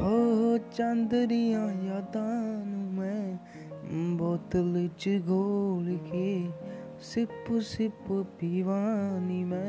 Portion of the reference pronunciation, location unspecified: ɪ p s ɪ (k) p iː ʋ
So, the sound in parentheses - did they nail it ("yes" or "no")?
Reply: no